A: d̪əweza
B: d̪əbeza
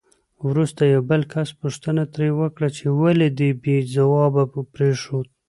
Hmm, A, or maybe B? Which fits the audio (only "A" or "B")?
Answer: B